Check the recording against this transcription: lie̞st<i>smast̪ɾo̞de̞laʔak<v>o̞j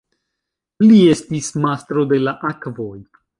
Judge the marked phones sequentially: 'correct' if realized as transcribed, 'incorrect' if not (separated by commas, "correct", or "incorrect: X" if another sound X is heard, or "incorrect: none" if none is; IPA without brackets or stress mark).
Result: correct, correct